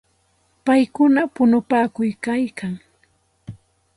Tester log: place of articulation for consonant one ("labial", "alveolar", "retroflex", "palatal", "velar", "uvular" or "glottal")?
labial